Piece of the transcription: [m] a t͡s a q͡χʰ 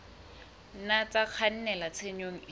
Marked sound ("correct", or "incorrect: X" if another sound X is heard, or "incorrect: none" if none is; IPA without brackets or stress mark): incorrect: n